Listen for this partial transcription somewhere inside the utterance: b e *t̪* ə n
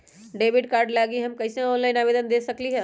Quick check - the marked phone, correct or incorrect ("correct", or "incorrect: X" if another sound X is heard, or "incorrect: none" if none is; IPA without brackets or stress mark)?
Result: incorrect: d̪